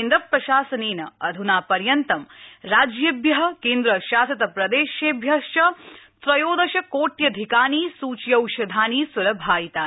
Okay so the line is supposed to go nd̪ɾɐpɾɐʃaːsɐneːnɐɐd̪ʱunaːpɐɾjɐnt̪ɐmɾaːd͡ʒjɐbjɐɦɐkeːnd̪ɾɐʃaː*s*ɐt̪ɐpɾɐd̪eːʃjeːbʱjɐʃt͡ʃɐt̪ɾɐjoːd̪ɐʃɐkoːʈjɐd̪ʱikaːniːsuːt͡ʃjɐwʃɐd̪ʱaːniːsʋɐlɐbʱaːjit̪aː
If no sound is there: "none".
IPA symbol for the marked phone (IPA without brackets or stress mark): s